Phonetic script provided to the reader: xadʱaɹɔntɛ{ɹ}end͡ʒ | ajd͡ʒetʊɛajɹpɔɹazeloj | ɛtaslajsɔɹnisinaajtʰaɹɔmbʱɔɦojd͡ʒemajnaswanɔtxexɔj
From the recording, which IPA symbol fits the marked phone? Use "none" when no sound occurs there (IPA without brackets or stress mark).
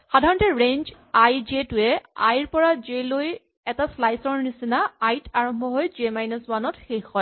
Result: ɹ